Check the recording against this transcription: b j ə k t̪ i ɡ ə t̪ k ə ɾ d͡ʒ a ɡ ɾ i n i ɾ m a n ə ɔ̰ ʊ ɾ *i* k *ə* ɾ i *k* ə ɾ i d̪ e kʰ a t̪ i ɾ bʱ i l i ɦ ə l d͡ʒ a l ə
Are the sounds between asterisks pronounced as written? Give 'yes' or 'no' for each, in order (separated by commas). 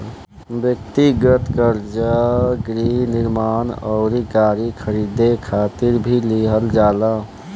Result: yes, no, no